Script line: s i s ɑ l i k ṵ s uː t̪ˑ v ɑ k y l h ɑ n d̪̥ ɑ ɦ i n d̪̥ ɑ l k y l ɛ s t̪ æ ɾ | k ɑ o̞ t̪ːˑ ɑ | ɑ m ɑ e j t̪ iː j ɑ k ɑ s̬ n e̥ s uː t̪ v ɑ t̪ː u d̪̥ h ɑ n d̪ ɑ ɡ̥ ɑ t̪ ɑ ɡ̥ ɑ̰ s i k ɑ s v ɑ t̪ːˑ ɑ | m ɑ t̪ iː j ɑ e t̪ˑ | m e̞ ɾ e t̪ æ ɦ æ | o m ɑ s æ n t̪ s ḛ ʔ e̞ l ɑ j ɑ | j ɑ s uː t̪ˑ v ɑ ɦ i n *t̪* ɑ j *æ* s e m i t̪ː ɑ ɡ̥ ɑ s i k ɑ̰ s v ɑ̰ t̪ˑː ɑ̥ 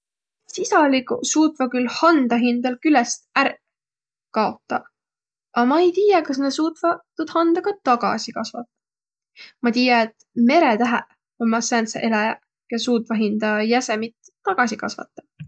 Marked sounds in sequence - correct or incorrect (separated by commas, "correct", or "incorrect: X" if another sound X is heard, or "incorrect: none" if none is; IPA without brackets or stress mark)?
incorrect: d̪, correct